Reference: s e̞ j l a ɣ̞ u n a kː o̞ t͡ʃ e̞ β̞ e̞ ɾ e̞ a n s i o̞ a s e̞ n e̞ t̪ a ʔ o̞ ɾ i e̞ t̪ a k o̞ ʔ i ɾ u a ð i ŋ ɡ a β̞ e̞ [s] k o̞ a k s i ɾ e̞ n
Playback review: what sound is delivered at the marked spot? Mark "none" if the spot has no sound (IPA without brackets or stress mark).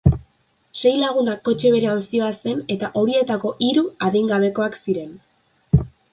none